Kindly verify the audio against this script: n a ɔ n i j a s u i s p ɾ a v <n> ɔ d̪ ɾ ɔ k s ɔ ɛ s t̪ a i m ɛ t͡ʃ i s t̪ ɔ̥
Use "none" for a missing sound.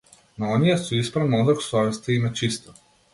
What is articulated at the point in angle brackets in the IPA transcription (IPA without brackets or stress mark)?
n